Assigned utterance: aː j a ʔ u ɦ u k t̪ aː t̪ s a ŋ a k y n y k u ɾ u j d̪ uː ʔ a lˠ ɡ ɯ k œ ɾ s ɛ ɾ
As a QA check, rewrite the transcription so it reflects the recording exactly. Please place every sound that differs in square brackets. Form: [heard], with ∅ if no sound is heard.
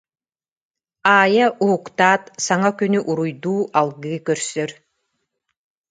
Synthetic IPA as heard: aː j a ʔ u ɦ u k t̪ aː t̪ s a ŋ a k y n y [ʔ] u ɾ u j d̪ uː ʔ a lˠ ɡ ɯ k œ ɾ s [œ] ɾ

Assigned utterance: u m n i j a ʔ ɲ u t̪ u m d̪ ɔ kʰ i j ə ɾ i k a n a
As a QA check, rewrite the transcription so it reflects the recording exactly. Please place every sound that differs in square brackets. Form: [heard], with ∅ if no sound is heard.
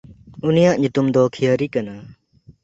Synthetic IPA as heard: u [∅] n i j a ʔ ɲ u t̪ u m d̪ ɔ kʰ i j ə ɾ i k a n a

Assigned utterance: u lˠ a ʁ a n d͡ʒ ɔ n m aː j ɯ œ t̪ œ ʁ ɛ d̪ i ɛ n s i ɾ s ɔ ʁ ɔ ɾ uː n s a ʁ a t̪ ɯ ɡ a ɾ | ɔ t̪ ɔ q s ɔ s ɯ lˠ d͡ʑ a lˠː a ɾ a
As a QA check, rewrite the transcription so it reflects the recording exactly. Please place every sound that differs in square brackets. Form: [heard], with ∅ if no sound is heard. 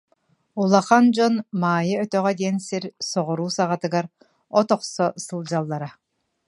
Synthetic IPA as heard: u lˠ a [χ] a n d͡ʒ ɔ n m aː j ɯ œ t̪ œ ʁ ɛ d̪ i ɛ n s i ɾ s ɔ ʁ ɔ ɾ uː [∅] s a ʁ a t̪ ɯ ɡ a ɾ | ɔ t̪ ɔ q s ɔ s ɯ lˠ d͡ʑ a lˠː a ɾ a

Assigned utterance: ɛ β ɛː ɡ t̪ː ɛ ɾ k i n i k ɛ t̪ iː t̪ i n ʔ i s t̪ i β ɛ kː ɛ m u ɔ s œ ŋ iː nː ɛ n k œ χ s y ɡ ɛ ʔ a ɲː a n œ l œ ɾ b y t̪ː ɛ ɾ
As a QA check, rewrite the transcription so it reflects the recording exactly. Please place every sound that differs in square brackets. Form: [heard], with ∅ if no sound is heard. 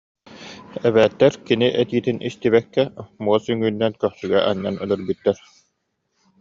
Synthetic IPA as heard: ɛ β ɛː [∅] t̪ː ɛ ɾ k i n i [ʔ] ɛ t̪ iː t̪ i n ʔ i s t̪ i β ɛ kː ɛ m u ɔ s [y] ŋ [yː] nː ɛ n k œ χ s y ɡ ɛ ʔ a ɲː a n œ l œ ɾ b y t̪ː ɛ ɾ

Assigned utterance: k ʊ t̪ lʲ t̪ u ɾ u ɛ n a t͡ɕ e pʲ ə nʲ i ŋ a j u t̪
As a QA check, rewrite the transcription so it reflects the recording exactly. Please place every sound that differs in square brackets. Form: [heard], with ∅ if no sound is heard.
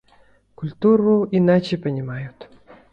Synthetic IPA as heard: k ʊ [∅] lʲ t̪ u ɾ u [i] n a t͡ɕ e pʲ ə nʲ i [m] a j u t̪

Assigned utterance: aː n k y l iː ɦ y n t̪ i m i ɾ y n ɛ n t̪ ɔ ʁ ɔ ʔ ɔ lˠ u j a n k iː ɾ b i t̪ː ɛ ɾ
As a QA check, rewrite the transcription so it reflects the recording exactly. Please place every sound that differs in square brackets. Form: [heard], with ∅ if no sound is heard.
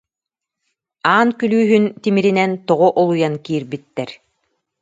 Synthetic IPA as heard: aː n k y l [yː] ɦ y n t̪ i m i ɾ [i] n ɛ n t̪ ɔ ʁ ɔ ʔ ɔ lˠ u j a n k iː ɾ b i t̪ː ɛ ɾ

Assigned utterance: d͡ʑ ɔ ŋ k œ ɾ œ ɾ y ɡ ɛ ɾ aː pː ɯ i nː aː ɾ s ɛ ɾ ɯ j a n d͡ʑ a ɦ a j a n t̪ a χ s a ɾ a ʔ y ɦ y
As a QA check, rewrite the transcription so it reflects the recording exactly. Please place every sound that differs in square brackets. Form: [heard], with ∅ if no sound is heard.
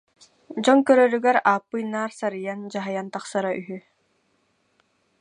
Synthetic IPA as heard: d͡ʑ ɔ ŋ k œ ɾ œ ɾ y ɡ ɛ ɾ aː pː ɯ [j] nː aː ɾ s [a] ɾ ɯ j a n d͡ʑ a ɦ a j a n t̪ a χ s a ɾ a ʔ y ɦ y

